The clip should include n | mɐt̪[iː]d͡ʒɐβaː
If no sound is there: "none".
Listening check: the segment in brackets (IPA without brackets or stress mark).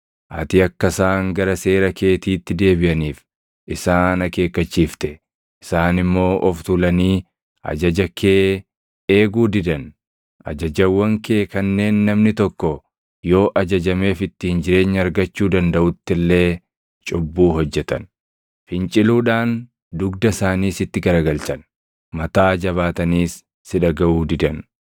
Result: aː